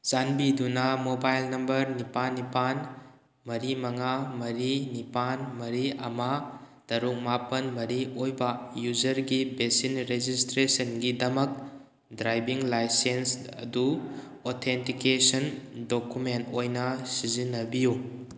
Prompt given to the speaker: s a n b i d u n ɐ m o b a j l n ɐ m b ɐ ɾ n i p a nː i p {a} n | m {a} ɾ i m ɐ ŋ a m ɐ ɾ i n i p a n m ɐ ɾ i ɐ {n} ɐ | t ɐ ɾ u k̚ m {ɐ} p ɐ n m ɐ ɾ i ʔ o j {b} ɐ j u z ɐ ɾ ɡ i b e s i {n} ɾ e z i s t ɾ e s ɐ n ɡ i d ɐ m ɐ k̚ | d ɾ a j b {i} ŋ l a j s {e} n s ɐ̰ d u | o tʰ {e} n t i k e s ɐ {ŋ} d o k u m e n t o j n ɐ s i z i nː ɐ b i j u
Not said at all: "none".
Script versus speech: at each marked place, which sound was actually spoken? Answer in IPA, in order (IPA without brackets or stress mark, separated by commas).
a, ɐ, m, a, b, n, i, e, e, n